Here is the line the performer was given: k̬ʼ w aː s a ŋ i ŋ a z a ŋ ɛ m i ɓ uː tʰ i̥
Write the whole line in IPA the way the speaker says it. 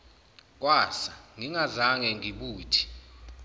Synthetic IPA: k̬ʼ w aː s a ŋ i ŋ a z a ŋ ɛ ŋ i ɓ uː tʰ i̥